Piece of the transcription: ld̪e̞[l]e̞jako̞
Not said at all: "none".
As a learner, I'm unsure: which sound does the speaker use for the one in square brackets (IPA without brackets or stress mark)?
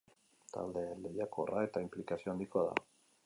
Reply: l